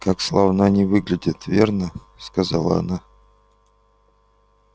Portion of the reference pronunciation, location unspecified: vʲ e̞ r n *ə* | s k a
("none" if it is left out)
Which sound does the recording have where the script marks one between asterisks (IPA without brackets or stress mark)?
ə